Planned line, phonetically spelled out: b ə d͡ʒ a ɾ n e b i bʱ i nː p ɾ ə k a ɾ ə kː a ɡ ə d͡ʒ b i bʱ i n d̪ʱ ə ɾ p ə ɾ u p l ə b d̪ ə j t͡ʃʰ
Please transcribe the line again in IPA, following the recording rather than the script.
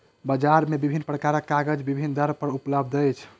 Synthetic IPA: b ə d͡ʒ a ɾ m e b i bʱ i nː p ɾ ə k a ɾ ə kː a ɡ ə d͡ʒ b i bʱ i n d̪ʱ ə ɾ p ə ɾ u p l ə b d̪ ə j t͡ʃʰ